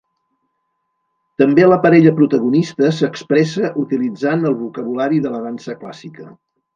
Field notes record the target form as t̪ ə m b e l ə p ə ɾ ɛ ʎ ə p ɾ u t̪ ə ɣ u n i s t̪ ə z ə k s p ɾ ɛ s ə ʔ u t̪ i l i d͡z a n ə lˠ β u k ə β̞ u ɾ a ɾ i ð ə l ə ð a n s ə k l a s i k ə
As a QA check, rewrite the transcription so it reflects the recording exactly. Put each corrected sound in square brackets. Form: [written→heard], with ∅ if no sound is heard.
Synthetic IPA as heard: t̪ ə m b e l ə p ə ɾ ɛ ʎ ə p ɾ u t̪ ə ɣ u n i s t̪ ə [z→s] ə k s p ɾ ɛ s ə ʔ u t̪ i l i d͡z a n ə lˠ β u k ə β̞ u [ɾ→l] a ɾ i ð ə l ə ð a n s ə k l a s i k ə